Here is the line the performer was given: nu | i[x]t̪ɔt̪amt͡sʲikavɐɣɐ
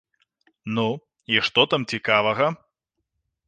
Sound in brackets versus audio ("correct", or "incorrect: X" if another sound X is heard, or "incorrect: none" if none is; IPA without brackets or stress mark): incorrect: ʂ